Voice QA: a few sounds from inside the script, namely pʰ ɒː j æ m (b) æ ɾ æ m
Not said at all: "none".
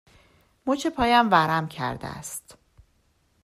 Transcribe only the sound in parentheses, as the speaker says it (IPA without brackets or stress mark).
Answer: v